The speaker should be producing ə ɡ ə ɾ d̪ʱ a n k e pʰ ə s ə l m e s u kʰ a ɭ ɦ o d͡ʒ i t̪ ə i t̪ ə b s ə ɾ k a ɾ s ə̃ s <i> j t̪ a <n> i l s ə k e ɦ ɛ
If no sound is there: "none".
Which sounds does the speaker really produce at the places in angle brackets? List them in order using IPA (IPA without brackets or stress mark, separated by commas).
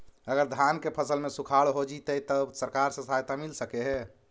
a, m